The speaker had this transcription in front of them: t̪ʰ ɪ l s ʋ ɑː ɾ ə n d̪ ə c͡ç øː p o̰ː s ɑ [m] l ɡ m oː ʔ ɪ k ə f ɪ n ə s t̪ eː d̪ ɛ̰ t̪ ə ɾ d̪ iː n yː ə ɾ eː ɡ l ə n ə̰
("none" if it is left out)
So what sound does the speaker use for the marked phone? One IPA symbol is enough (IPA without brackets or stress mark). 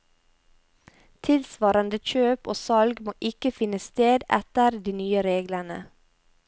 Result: none